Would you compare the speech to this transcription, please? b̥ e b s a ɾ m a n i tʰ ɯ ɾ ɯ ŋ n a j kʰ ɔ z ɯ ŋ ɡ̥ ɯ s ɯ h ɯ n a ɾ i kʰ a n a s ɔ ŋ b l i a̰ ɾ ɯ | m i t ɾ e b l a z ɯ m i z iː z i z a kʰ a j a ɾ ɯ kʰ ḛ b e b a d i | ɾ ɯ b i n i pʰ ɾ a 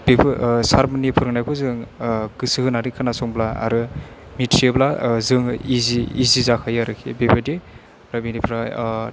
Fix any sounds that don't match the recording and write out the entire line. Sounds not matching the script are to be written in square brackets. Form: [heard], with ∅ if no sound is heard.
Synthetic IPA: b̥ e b s a ɾ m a n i [pʰ] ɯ ɾ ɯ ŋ n a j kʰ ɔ z ɯ ŋ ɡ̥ ɯ s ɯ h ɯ n a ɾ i kʰ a n a s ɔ ŋ b l [a] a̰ ɾ ɯ | m i t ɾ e b l a z ɯ [ŋ] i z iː z i z a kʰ a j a ɾ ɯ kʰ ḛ b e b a d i | ɾ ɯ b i n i pʰ ɾ a